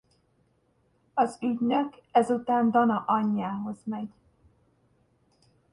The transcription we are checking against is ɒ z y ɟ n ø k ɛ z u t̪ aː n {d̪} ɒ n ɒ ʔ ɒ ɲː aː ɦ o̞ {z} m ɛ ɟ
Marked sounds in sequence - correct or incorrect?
correct, correct

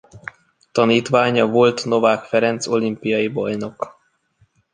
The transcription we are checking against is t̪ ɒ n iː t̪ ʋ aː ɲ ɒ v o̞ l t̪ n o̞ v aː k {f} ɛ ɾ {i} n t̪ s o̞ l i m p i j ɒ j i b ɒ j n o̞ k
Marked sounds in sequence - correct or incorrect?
correct, incorrect: ɛ

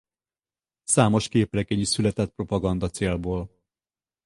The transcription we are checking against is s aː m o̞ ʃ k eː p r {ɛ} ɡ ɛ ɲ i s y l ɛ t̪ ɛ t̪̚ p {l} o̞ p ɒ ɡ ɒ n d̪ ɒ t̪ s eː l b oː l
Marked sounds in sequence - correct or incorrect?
correct, incorrect: r

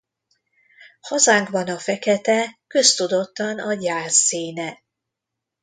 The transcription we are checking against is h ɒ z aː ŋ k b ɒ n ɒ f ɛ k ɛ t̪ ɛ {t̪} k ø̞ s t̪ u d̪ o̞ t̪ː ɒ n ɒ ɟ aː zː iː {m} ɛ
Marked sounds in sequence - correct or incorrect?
incorrect: none, incorrect: n

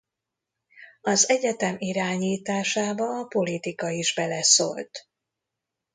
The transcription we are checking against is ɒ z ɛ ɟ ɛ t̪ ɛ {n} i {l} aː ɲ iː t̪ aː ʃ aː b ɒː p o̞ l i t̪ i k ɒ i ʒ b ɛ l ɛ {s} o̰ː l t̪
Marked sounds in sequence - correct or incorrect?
incorrect: m, incorrect: ɾ, correct

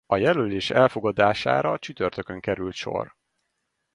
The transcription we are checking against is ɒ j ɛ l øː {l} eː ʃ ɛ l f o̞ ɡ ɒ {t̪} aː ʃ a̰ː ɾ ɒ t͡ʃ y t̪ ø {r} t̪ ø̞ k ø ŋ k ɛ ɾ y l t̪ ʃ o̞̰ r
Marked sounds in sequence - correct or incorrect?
correct, incorrect: d̪, correct

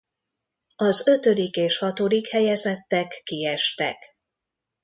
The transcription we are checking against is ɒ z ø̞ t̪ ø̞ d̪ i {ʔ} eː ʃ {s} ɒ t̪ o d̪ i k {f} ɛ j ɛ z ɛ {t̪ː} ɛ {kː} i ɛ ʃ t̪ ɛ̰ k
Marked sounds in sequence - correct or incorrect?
incorrect: k, incorrect: h, incorrect: h, correct, correct

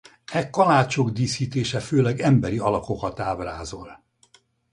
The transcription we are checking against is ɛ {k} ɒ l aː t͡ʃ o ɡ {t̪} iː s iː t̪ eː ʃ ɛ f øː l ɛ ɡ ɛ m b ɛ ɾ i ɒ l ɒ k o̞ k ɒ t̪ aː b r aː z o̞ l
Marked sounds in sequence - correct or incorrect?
correct, incorrect: d̪

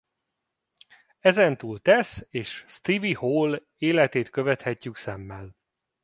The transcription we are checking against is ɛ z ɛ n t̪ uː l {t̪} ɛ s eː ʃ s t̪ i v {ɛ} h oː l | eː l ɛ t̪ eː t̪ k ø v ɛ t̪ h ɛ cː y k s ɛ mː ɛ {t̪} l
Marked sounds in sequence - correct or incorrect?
correct, incorrect: i, incorrect: none

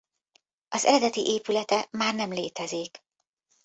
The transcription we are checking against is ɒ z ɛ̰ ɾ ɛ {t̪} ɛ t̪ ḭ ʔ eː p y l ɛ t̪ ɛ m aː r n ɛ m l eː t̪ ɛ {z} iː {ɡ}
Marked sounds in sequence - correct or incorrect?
incorrect: d̪, correct, incorrect: k

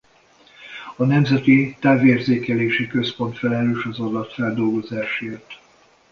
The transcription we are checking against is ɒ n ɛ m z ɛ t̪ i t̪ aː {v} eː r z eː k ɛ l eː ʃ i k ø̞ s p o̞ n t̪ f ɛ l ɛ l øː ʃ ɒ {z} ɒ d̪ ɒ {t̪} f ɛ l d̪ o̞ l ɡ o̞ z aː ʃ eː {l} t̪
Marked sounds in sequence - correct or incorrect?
correct, correct, correct, incorrect: r

